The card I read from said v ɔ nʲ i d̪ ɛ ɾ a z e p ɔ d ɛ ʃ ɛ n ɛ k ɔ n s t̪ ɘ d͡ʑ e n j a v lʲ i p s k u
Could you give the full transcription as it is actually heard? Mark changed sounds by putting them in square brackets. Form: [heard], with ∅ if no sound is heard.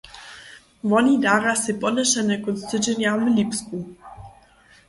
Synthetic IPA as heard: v ɔ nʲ i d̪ [a] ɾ a [s] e p ɔ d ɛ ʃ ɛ n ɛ k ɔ n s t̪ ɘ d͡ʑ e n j a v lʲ i p s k u